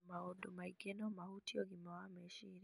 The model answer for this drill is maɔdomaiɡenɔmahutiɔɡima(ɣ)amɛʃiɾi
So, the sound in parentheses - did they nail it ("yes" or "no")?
no